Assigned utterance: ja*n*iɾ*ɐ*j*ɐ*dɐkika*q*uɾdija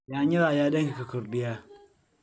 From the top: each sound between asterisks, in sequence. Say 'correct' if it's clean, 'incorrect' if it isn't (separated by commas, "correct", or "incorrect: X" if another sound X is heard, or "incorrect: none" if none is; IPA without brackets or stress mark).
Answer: incorrect: ɲ, incorrect: a, incorrect: a, incorrect: k